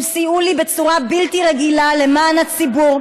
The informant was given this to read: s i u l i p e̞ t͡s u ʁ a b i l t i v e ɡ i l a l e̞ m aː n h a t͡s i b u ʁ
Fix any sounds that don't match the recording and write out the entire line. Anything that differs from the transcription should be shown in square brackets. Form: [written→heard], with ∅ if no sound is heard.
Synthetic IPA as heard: s i u l i [p→b] e̞ t͡s u ʁ a b i l t i [v→ʁ] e ɡ i l a l e̞ m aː n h a t͡s i b u ʁ